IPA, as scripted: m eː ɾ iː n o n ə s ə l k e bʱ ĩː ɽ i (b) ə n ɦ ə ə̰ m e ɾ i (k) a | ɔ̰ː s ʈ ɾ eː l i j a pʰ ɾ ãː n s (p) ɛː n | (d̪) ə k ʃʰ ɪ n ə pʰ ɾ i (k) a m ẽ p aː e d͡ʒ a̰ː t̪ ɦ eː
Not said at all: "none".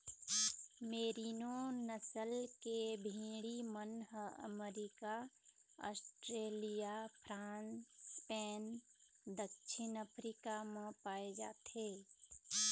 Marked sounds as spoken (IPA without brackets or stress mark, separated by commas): m, k, p, d̪, k